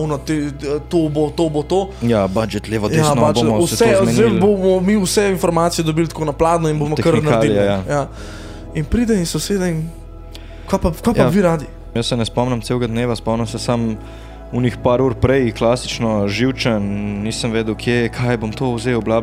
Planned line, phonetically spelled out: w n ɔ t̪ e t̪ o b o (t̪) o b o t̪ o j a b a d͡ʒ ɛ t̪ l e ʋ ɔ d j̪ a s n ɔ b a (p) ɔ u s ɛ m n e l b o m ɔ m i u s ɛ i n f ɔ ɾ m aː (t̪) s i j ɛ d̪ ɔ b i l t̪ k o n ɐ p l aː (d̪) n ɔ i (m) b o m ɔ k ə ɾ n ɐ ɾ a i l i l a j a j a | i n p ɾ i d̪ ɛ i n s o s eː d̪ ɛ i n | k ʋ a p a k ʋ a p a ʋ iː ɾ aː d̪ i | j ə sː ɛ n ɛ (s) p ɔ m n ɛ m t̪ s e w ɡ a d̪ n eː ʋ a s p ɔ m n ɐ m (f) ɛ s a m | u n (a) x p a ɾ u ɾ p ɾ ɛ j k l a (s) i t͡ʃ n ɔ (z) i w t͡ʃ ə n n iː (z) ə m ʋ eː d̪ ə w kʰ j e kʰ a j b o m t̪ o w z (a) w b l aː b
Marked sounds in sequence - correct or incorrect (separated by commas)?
correct, incorrect, correct, correct, incorrect, correct, incorrect, incorrect, correct, incorrect, incorrect, incorrect